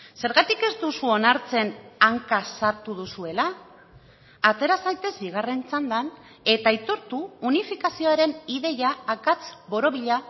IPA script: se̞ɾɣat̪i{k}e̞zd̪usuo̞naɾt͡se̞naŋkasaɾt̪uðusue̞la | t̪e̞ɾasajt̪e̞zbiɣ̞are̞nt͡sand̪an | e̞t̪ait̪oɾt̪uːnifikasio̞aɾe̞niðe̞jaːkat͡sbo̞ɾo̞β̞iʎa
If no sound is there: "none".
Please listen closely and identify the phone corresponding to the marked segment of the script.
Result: k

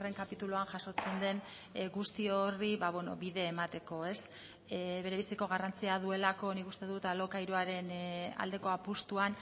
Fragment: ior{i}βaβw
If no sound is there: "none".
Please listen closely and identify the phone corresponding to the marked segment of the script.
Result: i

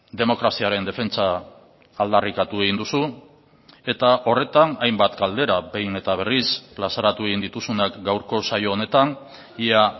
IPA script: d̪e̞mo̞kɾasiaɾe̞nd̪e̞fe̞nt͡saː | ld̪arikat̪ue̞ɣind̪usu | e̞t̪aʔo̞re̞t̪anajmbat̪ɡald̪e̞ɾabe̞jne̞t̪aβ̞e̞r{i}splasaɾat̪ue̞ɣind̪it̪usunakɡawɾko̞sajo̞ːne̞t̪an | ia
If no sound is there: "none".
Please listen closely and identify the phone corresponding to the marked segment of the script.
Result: i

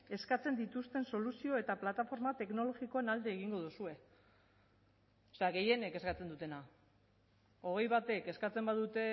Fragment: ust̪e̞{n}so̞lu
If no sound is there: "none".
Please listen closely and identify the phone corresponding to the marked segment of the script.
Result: n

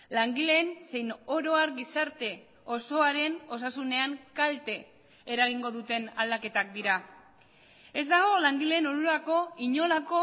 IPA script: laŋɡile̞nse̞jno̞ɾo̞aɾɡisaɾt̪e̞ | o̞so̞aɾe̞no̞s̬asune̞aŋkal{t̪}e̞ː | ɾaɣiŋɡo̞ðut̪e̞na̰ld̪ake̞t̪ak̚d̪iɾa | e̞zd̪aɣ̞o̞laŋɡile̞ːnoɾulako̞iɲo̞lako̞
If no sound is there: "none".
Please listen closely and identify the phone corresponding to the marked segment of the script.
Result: t̪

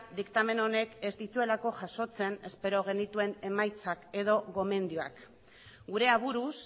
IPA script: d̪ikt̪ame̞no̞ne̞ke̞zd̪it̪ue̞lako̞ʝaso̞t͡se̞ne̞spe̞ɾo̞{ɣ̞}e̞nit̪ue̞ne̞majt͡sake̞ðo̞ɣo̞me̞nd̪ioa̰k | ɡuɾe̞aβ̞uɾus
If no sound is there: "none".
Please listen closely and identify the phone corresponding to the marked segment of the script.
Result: ɣ̞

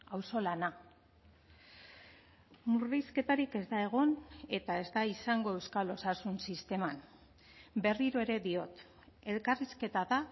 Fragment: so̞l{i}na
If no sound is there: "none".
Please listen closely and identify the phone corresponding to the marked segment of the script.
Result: a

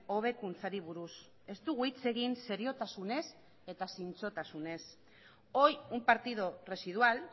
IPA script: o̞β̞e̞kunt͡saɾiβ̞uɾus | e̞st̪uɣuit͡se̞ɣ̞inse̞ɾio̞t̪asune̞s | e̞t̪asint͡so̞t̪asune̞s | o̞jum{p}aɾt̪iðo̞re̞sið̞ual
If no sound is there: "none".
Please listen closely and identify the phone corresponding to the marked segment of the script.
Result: p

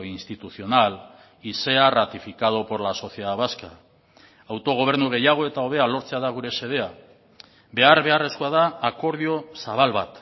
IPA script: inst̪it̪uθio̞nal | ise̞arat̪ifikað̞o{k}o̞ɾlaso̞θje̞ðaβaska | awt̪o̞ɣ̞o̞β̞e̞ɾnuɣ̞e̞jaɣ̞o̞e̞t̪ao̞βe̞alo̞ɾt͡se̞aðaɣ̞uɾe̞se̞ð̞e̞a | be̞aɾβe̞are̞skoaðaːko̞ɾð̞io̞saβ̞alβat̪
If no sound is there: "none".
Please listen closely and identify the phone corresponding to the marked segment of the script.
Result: p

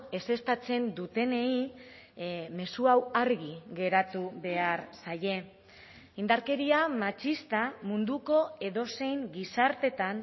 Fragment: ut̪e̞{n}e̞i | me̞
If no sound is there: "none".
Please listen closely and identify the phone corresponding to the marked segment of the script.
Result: n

